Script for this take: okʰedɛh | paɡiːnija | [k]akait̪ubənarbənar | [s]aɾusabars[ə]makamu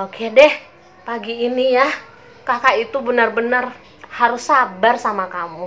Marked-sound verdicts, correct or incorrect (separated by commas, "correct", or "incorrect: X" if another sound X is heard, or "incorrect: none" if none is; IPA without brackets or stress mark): correct, incorrect: h, incorrect: a